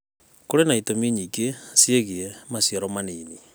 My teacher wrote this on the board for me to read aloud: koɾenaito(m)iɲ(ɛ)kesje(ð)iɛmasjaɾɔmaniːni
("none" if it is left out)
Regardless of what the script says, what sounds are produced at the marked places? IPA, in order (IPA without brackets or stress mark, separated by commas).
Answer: m, i, ɣ